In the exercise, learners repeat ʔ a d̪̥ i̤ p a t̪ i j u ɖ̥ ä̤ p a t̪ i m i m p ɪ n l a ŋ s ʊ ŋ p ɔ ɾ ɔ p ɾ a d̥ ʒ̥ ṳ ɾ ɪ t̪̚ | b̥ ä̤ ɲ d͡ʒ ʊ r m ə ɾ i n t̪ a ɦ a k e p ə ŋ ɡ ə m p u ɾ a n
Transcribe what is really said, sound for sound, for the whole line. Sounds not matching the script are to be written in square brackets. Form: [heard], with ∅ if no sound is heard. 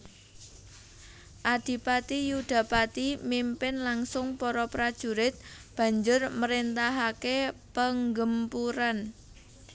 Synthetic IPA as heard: ʔ a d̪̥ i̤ p a t̪ i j u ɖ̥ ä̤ p a t̪ i m i m p ɪ n l a ŋ s ʊ ŋ p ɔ ɾ ɔ p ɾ a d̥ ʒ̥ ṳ ɾ ɪ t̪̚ | b̥ ä̤ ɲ d͡ʒ ʊ r m ə ɾ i n t̪ a ɦ a k e p ə ŋ ɡ ə m p u ɾ a n